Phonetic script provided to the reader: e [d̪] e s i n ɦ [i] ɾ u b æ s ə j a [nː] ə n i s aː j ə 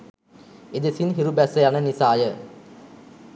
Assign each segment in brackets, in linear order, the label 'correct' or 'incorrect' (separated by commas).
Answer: correct, correct, incorrect